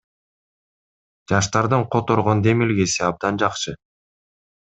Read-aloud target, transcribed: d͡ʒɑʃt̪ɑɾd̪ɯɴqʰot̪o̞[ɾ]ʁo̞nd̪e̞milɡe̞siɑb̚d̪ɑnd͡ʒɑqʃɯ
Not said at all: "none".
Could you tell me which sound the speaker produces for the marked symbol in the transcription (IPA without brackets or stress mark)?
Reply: ɾ